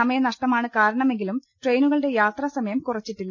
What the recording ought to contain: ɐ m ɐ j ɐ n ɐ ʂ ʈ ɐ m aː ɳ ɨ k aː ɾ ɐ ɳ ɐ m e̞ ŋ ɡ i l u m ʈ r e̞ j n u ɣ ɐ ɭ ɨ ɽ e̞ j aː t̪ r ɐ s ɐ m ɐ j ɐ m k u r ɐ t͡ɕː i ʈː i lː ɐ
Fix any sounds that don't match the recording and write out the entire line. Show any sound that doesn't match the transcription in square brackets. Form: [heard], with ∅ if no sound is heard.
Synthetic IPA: ɐ m ɐ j ɐ n ɐ ʂ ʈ ɐ m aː ɳ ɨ k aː ɾ ɐ ɳ ɐ m e̞ ŋ ɡ i l u m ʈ r e̞ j n u ɣ ɐ ɭ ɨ ɽ e̞ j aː t̪ r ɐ s ɐ m ɐ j ɐ m k u r ɐ t͡ɕː i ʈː i lː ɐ